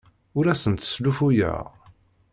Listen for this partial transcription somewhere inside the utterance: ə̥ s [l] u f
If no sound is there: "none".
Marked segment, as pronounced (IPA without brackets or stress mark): l